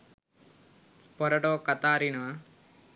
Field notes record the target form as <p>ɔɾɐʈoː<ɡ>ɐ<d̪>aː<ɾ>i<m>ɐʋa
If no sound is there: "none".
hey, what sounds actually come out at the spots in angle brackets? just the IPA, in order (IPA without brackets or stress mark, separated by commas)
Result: p, k, t̪, ɾ, n